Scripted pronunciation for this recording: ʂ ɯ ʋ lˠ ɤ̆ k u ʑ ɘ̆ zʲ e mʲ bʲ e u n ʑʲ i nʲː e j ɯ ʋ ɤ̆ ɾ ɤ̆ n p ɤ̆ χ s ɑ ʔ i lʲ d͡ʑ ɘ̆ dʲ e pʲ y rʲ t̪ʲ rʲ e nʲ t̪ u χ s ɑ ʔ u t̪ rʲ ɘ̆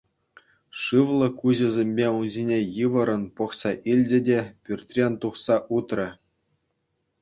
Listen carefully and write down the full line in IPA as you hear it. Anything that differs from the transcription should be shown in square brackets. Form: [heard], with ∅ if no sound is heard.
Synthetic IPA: ʂ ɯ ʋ lˠ ɤ̆ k u ʑ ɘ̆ zʲ e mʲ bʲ e u n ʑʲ i [nʲ] e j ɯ ʋ ɤ̆ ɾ ɤ̆ n p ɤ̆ χ s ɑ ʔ i lʲ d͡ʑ ɘ̆ dʲ e pʲ y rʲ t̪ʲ rʲ e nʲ t̪ u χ s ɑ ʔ u t̪ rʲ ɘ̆